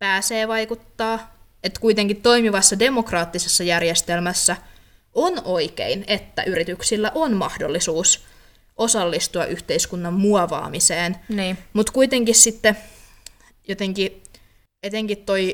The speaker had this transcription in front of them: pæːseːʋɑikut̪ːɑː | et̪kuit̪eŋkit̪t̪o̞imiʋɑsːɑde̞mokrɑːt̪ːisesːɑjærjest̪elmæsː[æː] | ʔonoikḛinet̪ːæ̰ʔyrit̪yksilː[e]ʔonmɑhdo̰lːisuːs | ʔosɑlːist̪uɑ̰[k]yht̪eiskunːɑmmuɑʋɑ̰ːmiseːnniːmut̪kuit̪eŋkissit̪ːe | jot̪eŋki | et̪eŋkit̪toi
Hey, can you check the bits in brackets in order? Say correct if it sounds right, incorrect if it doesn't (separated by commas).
incorrect, incorrect, incorrect